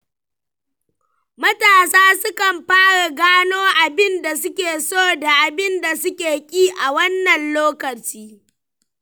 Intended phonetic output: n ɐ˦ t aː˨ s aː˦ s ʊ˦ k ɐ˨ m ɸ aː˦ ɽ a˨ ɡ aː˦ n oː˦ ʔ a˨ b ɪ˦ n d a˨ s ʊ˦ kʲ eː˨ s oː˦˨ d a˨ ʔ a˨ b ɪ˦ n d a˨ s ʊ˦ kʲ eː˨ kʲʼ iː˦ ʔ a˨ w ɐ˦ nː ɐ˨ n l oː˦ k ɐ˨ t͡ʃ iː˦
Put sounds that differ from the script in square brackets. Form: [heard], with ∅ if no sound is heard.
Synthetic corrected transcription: [m] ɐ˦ t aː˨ s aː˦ s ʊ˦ k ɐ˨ m ɸ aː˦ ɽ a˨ ɡ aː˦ n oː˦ ʔ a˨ b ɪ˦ n d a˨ s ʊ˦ kʲ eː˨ s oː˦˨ d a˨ ʔ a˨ b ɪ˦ n d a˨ s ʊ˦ kʲ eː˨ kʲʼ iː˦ ʔ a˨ w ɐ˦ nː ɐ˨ n l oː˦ k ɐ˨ t͡ʃ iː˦